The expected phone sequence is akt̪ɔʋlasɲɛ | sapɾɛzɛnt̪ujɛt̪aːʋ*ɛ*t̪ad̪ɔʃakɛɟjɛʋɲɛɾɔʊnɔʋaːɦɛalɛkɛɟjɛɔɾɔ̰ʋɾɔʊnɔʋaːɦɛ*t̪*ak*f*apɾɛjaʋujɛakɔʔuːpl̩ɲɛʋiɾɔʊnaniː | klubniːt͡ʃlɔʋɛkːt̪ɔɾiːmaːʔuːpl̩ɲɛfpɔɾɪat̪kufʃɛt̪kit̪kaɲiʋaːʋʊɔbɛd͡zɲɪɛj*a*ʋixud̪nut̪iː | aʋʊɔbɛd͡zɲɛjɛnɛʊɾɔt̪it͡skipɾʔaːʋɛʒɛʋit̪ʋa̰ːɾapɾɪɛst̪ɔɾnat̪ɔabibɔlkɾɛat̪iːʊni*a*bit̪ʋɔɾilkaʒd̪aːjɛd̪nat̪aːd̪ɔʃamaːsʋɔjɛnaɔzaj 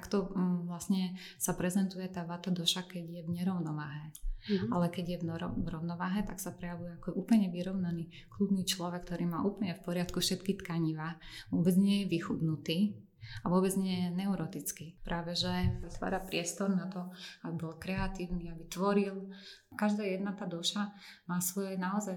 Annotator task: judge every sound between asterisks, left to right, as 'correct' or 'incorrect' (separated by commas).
incorrect, correct, incorrect, incorrect, correct